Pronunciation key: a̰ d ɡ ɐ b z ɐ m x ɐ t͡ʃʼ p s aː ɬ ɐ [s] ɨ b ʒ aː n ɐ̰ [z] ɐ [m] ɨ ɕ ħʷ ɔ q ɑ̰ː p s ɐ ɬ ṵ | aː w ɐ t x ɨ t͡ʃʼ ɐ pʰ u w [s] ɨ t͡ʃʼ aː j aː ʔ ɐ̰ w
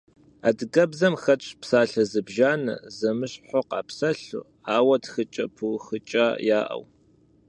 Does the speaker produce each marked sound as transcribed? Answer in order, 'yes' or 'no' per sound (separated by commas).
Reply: no, yes, yes, no